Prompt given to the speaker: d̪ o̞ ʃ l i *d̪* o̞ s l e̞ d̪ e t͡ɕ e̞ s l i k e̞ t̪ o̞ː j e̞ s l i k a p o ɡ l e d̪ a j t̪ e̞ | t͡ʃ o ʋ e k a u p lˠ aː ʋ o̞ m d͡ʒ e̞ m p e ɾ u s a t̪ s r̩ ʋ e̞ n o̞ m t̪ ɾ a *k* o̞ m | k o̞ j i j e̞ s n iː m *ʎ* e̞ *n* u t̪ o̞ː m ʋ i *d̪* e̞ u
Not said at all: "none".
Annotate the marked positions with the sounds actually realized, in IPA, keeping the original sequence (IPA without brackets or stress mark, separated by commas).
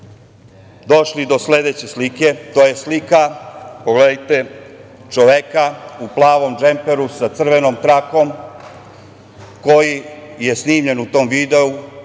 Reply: d̪, k, ʎ, n, d̪